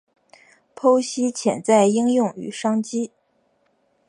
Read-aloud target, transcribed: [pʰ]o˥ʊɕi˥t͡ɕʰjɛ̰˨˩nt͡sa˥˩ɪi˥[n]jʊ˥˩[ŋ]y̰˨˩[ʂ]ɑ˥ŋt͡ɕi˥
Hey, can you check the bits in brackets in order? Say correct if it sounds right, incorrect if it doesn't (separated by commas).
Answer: correct, incorrect, correct, correct